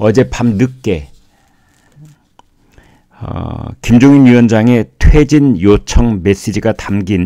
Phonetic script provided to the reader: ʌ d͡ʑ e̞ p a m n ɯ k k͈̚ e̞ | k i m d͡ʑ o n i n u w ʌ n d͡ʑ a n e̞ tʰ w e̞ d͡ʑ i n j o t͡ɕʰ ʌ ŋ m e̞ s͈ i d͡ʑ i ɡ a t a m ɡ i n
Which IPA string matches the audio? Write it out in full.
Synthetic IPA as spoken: ʌ d͡ʑ e̞ p a m n ɯ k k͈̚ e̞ | k i m d͡ʑ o ŋ i n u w ʌ n d͡ʑ a ŋ e̞ tʰ w e̞ d͡ʑ i n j o t͡ɕʰ ʌ ŋ m e̞ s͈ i d͡ʑ i ɡ a t a m ɡ i n

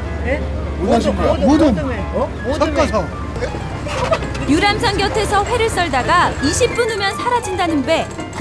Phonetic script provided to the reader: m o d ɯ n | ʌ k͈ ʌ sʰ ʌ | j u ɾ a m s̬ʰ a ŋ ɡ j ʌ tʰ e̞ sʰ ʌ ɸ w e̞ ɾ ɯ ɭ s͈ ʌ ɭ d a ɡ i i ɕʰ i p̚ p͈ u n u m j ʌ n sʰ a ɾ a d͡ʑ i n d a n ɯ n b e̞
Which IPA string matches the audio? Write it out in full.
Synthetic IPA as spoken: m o d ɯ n | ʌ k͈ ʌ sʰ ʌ | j u ɾ a m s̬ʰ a ŋ ɡ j ʌ tʰ e̞ sʰ ʌ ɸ w e̞ ɾ ɯ ɭ s͈ ʌ ɭ d a ɡ a i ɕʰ i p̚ p͈ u n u m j ʌ n sʰ a ɾ a d͡ʑ i n d a n ɯ n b e̞

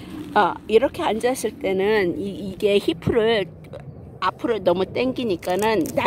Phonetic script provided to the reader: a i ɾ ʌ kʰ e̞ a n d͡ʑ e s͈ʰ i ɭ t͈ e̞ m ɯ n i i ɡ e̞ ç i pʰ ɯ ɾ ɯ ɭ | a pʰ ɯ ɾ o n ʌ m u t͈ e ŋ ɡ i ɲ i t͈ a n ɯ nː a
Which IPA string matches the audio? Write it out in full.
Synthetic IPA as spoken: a i ɾ ʌ kʰ e̞ a n d͡ʑ a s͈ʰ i ɭ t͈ e̞ n ɯ n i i ɡ e̞ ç i pʰ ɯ ɾ ɯ ɭ | a pʰ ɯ ɾ o n ʌ m u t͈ e ŋ ɡ i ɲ i k͈ a n ɯ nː a

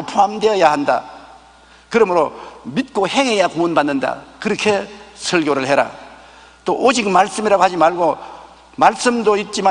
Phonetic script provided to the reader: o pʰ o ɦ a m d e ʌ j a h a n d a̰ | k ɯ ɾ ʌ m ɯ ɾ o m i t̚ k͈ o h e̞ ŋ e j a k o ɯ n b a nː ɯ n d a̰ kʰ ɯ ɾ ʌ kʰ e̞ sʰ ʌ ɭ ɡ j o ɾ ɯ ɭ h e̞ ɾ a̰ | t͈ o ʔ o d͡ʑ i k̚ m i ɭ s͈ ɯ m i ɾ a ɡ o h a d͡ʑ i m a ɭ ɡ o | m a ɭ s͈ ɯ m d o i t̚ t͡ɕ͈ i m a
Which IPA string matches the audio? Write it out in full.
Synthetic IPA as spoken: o pʰ o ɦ a m d e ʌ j a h a n d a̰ | k ɯ ɾ ʌ m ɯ ɾ o m i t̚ k͈ o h e̞ ŋ e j a k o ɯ n b a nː ɯ n d a̰ k ɯ ɾ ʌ kʰ e̞ sʰ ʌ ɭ ɡ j o ɾ ɯ ɭ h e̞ ɾ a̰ | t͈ o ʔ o d͡ʑ i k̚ m a ɭ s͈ ɯ m i ɾ a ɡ o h a d͡ʑ i m a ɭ ɡ o | m a ɭ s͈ ɯ m d o i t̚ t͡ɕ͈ i m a

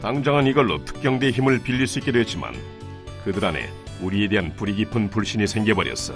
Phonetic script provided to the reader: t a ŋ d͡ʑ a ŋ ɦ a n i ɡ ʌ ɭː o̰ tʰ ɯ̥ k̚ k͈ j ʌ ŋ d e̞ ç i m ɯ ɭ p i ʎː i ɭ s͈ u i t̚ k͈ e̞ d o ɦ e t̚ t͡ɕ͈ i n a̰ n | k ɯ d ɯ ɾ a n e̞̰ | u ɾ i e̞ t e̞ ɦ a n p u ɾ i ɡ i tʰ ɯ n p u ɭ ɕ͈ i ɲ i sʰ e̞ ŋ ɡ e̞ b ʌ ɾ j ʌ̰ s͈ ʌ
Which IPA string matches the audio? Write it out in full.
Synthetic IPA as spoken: t a ŋ d͡ʑ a ŋ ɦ a n i ɡ ʌ ɭː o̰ tʰ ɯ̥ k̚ k͈ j ʌ ŋ d e̞ ç i m ɯ ɭ p i ʎː i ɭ s͈ u i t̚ k͈ e̞ d o ɦ e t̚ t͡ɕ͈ i m a̰ n | k ɯ d ɯ ɾ a n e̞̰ | u ɾ i e̞ d e̞ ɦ a n p u ɾ i ɡ i pʰ ɯ n p u ɭ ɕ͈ i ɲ i sʰ e̞ ŋ ɡ e̞ b ʌ ɾ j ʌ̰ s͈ ʌ

